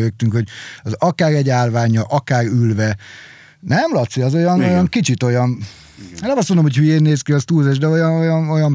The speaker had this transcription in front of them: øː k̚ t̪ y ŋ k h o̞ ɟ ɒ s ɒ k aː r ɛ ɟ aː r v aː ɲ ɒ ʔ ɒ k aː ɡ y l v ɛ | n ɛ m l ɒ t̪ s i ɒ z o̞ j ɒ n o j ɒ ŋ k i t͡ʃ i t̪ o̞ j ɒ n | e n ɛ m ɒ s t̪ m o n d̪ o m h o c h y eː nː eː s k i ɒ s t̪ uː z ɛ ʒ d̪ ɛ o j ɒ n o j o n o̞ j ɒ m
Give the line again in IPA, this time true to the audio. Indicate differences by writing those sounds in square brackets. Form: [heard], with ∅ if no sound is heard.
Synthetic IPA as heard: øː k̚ t̪ y ŋ k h o̞ ɟ ɒ [z] ɒ k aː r ɛ ɟ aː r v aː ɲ ɒ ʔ ɒ k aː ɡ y l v ɛ | n ɛ m l ɒ t̪ s i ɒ z o̞ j ɒ n o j ɒ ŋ k i t͡ʃ i t̪ o̞ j ɒ n | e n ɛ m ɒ s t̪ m o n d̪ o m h o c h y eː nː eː s k i ɒ s t̪ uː z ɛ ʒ d̪ ɛ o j ɒ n o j [ɒ] n o̞ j ɒ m